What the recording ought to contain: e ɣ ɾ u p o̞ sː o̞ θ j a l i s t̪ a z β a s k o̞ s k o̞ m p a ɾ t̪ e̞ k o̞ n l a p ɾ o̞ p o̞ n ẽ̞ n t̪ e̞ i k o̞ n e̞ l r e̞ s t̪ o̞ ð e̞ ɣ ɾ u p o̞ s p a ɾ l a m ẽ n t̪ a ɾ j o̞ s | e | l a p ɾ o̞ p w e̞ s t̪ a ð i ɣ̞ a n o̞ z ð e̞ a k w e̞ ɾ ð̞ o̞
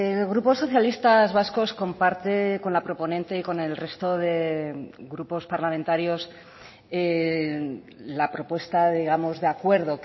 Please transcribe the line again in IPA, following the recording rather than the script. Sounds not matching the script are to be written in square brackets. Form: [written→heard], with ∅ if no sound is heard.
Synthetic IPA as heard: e ɣ ɾ u p o̞ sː o̞ θ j a l i s t̪ a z β a s k o̞ s k o̞ m p a ɾ t̪ e̞ k o̞ n l a p ɾ o̞ p o̞ n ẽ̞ n t̪ e̞ i k o̞ n e̞ l r e̞ s t̪ o̞ ð e̞ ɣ ɾ u p o̞ s p a ɾ l a m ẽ n t̪ a ɾ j o̞ s | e | l a p ɾ o̞ p w e̞ s t̪ a ð i ɣ̞ a [n→m] o̞ z ð e̞ a k w e̞ ɾ ð̞ o̞

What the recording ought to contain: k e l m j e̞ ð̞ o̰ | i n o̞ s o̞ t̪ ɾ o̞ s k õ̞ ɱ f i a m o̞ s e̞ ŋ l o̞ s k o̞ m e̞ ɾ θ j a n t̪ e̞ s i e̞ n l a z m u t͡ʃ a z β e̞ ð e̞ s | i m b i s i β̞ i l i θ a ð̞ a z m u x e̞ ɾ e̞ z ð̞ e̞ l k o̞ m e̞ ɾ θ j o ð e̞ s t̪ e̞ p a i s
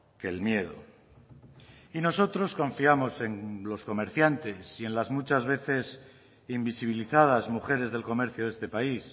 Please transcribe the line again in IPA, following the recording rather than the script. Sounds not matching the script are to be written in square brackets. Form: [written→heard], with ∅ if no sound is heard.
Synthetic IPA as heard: k e l m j e̞ ð̞ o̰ | i n o̞ s o̞ t̪ ɾ o̞ s k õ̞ ɱ f i a m o̞ s e̞ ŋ l o̞ s k o̞ m e̞ ɾ θ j a n t̪ e̞ s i e̞ n l a z m u t͡ʃ a z β e̞ [ð→θ] e̞ s | i m b i s i β̞ i l i θ a ð̞ a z m u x e̞ ɾ e̞ z ð̞ e̞ l k o̞ m e̞ ɾ θ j o ð e̞ s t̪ e̞ p a i s

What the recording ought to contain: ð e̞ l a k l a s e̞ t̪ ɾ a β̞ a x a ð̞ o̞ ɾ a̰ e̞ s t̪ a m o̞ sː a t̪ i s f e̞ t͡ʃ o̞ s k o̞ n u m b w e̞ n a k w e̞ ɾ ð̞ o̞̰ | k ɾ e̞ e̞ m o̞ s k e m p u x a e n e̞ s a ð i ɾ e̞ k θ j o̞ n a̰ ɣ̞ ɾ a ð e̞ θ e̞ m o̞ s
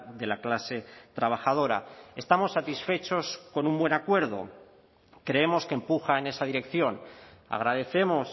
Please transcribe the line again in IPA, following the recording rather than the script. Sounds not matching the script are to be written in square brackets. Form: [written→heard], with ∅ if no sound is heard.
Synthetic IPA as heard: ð e̞ l a k l a s e̞ t̪ ɾ a β̞ a x a ð̞ o̞ ɾ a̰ e̞ s t̪ a m o̞ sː a t̪ i s f e̞ t͡ʃ o̞ s k o̞ n u m b w e̞ n a k w e̞ ɾ ð̞ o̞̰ | k ɾ e̞ e̞ m o̞ s k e m p u x a e n e̞ s a ð i ɾ e̞ k θ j o̞ n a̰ ɣ̞ ɾ a ð e̞ θ e̞ m o̞ s

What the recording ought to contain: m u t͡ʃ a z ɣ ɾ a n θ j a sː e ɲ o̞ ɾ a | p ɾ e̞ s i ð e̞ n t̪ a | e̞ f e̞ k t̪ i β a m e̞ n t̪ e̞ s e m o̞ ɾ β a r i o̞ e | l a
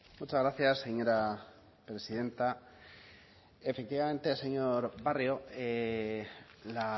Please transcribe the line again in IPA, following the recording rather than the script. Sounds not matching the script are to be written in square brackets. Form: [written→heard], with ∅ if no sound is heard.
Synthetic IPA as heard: m u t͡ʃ a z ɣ ɾ a [n→∅] θ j a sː e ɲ o̞ ɾ a | p ɾ e̞ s i ð e̞ n t̪ a | e̞ f e̞ k t̪ i β a m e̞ n t̪ e̞ s e [m→ɲ] o̞ ɾ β a r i o̞ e | l a

